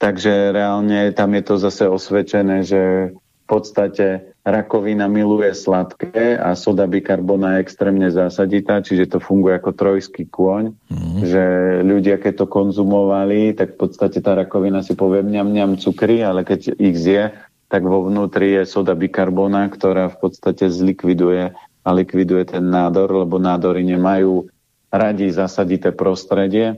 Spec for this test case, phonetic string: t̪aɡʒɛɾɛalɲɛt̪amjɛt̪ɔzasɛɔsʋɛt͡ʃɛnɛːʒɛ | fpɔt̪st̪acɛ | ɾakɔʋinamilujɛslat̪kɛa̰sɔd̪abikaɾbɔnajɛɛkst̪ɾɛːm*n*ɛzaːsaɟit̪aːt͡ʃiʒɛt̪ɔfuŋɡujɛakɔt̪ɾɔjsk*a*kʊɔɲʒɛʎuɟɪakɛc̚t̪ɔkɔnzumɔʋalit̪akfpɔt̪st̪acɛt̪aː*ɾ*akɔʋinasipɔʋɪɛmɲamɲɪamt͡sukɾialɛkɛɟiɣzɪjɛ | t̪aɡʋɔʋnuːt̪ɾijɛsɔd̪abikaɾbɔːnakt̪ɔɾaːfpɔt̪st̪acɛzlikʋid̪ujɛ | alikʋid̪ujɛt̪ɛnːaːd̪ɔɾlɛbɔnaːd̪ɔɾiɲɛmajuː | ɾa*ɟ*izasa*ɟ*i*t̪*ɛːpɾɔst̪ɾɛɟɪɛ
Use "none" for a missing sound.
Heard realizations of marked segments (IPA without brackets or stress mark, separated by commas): ɲ, i, ɾ, ɟ, ɟ, t̪